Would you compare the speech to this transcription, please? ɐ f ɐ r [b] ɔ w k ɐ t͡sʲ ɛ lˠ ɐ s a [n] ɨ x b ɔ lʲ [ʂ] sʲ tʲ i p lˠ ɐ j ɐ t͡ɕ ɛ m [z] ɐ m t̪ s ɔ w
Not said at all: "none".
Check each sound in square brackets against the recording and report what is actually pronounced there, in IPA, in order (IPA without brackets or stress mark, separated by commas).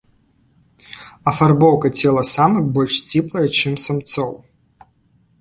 b, m, ʂ, s